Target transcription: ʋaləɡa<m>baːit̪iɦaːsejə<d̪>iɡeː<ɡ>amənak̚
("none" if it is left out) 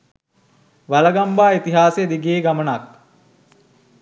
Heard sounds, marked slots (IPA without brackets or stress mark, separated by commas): m, d̪, ɡ